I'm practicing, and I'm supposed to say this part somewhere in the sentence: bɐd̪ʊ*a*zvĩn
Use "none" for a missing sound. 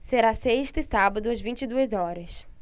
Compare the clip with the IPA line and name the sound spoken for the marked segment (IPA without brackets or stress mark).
ɐ